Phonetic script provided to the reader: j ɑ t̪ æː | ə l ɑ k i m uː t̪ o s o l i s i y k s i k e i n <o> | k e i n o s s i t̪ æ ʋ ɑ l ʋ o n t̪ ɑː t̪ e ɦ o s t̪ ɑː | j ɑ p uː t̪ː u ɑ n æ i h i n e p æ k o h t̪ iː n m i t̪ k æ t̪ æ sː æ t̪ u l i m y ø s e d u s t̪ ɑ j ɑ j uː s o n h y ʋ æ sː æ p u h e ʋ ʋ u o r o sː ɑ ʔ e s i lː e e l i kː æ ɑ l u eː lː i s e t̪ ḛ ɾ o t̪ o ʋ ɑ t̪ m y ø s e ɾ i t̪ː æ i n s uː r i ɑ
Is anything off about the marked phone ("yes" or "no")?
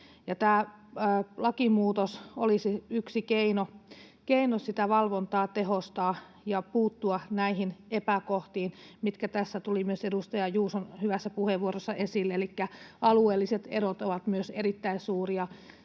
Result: no